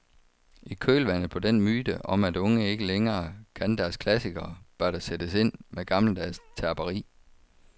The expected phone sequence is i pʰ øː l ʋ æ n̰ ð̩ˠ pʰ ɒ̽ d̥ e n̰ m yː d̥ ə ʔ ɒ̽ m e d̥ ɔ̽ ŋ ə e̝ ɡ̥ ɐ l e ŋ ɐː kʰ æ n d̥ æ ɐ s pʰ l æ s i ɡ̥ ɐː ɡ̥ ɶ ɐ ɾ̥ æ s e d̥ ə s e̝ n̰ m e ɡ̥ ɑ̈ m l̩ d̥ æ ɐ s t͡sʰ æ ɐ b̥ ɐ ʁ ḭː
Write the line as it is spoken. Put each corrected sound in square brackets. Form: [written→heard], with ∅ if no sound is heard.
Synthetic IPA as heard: i [pʰ→kʰ] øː l ʋ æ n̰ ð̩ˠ pʰ ɒ̽ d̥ e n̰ m yː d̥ ə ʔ ɒ̽ m [e→æ] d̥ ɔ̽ ŋ ə e̝ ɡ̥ [ɐ→ə] l e ŋ ɐː kʰ æ n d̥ æ ɐ s [pʰ→kʰ] l æ s i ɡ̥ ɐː [ɡ̥→b̥] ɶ ɐ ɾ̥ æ s e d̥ ə s e̝ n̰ m e ɡ̥ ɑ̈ m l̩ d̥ æ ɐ s t͡sʰ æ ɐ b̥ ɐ ʁ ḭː